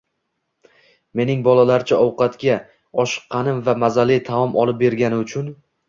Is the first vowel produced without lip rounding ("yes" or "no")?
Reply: yes